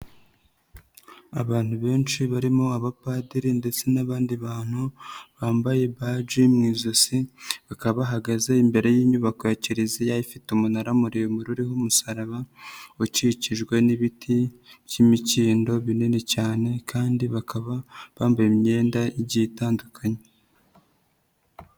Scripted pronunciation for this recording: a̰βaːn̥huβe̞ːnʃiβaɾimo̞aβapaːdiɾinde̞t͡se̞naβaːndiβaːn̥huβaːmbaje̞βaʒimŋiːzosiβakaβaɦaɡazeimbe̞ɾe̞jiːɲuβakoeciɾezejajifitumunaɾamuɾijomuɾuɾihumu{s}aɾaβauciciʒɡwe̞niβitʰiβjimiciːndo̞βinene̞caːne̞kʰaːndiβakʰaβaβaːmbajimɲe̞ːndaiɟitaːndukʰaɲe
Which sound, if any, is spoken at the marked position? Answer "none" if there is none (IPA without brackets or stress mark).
s